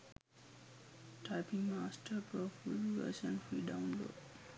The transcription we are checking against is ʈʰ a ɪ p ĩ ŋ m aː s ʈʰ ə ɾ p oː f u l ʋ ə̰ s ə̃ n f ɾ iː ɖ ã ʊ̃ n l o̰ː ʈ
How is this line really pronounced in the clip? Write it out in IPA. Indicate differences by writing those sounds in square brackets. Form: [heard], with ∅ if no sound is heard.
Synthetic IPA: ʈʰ a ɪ p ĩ ŋ m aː s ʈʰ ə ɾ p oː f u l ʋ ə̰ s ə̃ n f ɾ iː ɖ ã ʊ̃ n l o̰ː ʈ